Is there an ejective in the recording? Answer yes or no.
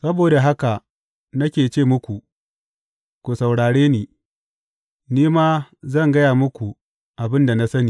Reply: no